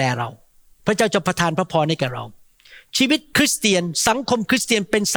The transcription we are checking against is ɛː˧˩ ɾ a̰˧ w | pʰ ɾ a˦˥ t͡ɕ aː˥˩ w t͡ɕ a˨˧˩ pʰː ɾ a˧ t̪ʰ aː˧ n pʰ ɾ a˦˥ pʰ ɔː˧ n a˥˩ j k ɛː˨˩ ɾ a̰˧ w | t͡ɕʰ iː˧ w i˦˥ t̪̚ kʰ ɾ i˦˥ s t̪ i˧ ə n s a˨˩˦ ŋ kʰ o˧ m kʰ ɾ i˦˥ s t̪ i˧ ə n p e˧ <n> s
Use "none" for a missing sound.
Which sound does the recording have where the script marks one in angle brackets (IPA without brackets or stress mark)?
n